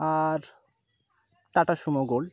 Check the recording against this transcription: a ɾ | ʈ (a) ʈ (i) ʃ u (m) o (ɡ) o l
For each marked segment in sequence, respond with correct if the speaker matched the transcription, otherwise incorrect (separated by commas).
correct, incorrect, correct, correct